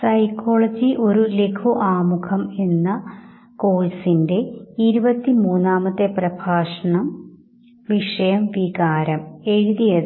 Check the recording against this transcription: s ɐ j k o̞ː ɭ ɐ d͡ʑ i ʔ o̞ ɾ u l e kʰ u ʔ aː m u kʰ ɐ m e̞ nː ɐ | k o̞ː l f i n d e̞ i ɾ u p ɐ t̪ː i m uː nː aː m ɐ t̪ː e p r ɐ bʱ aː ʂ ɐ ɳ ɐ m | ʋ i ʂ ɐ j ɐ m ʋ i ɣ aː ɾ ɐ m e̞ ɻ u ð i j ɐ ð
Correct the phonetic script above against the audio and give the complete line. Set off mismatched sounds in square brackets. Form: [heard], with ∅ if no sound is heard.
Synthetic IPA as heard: s ɐ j k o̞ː ɭ ɐ d͡ʑ i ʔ o̞ ɾ u l e kʰ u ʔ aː m u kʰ ɐ m e̞ nː ɐ | k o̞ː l [s] i n d e̞ i ɾ u [b] ɐ t̪ː i m uː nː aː m ɐ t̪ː e p r ɐ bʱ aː ʂ ɐ ɳ ɐ m | ʋ i ʂ ɐ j ɐ m ʋ i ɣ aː ɾ ɐ m e̞ ɻ u ð i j ɐ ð

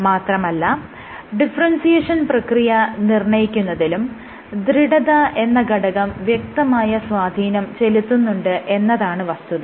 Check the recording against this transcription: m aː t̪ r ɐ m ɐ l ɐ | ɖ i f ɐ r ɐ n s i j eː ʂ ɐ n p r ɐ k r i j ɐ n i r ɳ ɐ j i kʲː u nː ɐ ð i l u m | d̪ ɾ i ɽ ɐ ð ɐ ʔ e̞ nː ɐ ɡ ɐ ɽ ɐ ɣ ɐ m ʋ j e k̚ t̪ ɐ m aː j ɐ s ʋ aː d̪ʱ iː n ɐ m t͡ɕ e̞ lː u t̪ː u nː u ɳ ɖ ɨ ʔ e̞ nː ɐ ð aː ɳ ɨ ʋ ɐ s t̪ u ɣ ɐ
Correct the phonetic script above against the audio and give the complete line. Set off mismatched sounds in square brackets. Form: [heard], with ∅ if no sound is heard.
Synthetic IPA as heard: m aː t̪ r ɐ m ɐ [lː] ɐ | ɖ i f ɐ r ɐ n s i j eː ʂ ɐ n p r ɐ k r i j ɐ n i r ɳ ɐ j i kʲː u nː ɐ ð i l u m | d̪ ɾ i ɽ ɐ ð ɐ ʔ e̞ nː ɐ ɡ ɐ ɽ ɐ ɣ ɐ m ʋ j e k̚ t̪ ɐ m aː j ɐ s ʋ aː d̪ʱ iː n ɐ m t͡ɕ e̞ [l] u t̪ː u nː u ɳ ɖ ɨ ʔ e̞ nː ɐ ð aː ɳ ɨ ʋ ɐ s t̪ u [ð] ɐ

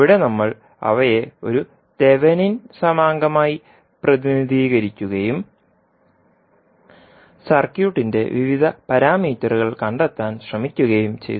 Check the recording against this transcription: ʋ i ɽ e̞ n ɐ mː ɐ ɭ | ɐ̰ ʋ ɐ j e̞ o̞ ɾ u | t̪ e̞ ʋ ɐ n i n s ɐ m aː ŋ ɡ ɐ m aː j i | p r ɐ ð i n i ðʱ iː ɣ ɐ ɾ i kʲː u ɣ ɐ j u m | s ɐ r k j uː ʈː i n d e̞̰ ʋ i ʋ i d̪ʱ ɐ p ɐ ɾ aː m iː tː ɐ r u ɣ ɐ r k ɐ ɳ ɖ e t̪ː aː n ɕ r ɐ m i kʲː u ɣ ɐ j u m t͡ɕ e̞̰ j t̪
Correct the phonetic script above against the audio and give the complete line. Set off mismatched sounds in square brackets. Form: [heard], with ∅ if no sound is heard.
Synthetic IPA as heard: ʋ i ɽ e̞ n ɐ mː ɐ ɭ | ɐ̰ ʋ ɐ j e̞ o̞ ɾ u | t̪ e̞ ʋ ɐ n i n s ɐ m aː ŋ ɡ ɐ m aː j i | p r ɐ ð i n i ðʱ iː ɣ ɐ ɾ i kʲː u ɣ ɐ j u m | s ɐ r k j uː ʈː i n d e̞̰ ʋ i ʋ i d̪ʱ ɐ p ɐ ɾ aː m iː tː ɐ r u ɣ ɐ [ɭ] k ɐ ɳ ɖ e t̪ː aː n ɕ r ɐ m i kʲː u ɣ ɐ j u m t͡ɕ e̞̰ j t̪

